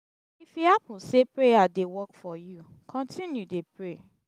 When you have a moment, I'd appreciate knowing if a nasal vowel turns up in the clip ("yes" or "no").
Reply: yes